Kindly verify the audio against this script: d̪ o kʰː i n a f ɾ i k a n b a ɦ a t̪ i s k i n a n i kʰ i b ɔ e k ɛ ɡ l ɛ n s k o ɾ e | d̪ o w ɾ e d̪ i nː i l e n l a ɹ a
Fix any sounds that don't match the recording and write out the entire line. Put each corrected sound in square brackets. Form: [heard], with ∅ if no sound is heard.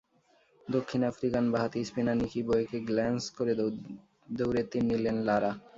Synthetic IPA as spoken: d̪ o kʰː i n a f ɾ i k a n b a ɦ a t̪ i s [p] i n a n i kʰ i b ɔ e k [e] ɡ l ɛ n s k o ɾ e | d̪ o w ɾ e [t̪] i nː i l e n l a [ɾ] a